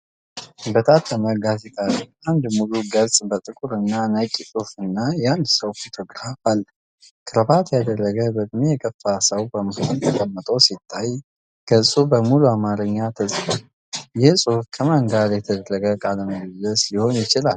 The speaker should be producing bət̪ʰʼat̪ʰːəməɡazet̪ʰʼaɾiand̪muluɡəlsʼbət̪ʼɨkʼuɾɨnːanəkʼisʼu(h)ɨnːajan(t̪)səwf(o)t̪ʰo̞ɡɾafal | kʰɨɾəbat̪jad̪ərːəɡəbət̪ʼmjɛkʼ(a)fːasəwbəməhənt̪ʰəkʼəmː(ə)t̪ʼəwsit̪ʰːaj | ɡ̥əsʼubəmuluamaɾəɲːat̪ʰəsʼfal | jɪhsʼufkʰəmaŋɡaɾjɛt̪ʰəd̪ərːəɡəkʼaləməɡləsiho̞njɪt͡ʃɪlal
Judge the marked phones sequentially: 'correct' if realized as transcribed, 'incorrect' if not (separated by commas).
incorrect, incorrect, correct, incorrect, correct